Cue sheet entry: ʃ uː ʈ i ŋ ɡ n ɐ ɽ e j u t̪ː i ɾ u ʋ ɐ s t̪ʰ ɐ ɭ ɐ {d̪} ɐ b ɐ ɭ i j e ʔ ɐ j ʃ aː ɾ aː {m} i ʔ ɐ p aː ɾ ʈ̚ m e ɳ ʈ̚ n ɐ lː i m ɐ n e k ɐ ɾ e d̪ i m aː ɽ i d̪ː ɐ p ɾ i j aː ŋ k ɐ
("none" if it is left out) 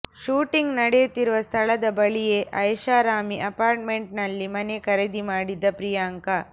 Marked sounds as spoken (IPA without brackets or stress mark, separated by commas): d̪, m